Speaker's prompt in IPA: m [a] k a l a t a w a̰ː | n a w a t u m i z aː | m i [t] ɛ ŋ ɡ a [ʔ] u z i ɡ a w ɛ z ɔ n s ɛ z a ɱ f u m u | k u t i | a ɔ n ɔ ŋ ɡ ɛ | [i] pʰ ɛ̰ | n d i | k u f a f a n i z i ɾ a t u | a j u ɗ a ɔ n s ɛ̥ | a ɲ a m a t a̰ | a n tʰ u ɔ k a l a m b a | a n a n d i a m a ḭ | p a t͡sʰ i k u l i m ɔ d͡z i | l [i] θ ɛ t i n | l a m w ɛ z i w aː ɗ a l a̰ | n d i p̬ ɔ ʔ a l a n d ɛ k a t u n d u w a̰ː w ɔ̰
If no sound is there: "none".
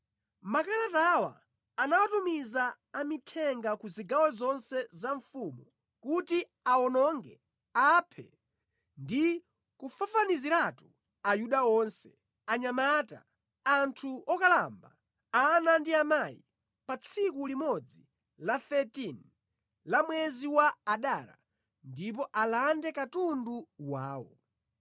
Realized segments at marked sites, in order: a, tʰ, k, a, a

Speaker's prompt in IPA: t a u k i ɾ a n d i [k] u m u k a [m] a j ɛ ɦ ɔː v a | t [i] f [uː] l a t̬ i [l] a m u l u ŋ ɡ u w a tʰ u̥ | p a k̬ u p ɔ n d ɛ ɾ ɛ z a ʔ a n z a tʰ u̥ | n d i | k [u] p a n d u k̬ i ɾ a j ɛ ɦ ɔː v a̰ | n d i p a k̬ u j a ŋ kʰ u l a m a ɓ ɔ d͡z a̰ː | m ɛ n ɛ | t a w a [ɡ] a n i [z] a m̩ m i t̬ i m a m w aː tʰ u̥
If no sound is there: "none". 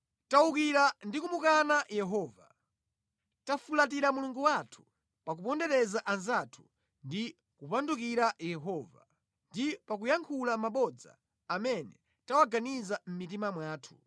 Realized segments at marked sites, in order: k, n, a, u, ɾ, u, ɡ, z

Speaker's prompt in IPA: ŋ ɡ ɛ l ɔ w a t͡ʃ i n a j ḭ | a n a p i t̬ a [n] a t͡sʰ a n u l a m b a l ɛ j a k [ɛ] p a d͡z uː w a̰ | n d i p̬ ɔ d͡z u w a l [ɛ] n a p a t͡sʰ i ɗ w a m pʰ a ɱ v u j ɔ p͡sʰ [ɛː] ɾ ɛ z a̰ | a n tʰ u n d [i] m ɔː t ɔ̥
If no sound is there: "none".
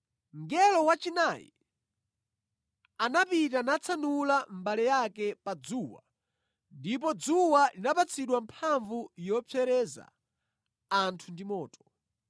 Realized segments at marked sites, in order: n, ɛ, i, ɛ, i

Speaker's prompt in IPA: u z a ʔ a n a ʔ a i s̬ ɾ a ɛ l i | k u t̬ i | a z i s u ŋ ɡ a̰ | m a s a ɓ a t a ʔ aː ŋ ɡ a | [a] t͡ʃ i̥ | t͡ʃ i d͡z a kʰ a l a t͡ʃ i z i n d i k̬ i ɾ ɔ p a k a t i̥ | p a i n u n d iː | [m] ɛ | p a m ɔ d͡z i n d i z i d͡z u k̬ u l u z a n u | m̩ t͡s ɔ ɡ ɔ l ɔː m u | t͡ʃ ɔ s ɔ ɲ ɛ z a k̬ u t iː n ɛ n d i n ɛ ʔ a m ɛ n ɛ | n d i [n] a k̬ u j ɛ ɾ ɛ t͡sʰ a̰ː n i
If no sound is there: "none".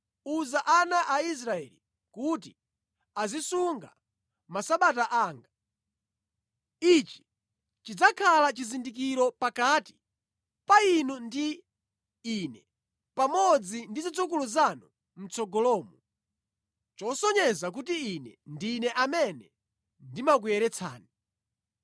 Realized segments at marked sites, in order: i, n, m

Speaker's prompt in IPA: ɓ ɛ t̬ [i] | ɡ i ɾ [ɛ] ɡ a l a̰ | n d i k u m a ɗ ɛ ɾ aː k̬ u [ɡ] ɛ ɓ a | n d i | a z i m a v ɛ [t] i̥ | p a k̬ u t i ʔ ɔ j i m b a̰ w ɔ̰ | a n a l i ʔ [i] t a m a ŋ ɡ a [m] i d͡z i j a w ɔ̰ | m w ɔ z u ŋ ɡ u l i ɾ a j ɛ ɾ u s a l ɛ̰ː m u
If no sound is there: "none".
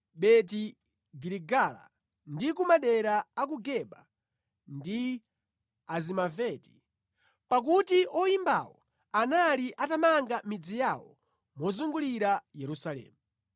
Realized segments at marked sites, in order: i, i, ɡ, t, a, m

